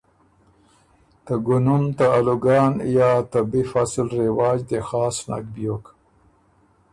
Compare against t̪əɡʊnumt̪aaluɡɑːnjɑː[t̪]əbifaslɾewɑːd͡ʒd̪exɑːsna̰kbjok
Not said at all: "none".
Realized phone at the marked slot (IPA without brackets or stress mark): t̪